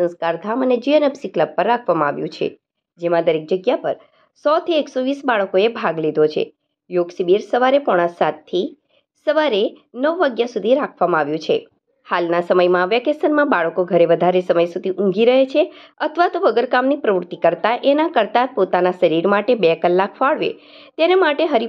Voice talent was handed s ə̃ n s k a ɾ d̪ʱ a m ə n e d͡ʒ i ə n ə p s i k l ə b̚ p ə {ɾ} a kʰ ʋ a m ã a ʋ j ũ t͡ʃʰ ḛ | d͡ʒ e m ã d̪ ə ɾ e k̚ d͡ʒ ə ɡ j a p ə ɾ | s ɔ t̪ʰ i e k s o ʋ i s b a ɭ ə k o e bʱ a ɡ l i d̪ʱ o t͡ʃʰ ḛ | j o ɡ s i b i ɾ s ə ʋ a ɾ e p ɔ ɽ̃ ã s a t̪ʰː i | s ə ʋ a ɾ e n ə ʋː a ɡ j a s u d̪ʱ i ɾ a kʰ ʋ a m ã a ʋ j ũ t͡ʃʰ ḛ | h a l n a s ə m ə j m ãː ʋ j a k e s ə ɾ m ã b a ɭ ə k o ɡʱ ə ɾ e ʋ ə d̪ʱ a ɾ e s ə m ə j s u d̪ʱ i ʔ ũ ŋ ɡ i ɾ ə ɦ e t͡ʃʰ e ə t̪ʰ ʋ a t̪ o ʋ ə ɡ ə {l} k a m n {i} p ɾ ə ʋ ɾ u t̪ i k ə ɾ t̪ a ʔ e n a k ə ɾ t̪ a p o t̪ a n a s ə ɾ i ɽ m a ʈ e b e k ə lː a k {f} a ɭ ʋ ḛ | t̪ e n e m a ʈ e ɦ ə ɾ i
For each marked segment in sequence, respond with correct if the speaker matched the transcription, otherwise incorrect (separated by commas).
incorrect, incorrect, correct, correct